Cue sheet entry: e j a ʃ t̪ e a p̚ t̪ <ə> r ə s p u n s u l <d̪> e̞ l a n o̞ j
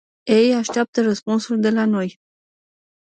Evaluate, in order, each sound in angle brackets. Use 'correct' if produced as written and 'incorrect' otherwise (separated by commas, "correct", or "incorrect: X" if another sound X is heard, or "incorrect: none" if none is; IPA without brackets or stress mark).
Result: correct, correct